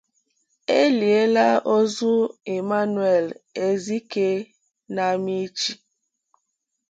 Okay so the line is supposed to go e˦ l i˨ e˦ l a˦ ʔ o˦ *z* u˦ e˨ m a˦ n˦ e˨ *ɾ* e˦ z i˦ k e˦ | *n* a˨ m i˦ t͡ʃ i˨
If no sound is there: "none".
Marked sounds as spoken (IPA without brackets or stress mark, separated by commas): z, l, n